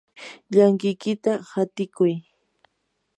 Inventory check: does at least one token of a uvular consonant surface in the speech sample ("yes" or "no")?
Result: no